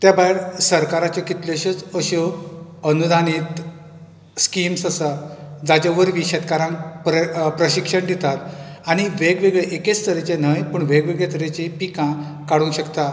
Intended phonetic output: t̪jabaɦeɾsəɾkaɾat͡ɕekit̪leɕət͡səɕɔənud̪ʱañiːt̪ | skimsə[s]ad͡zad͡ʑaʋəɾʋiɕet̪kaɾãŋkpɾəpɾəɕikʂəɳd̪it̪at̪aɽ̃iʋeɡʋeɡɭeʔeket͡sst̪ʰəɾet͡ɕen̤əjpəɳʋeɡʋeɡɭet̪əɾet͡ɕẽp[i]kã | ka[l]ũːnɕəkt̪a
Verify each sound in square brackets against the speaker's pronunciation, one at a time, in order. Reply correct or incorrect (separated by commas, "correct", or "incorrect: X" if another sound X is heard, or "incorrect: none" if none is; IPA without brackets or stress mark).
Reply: correct, correct, incorrect: ɽ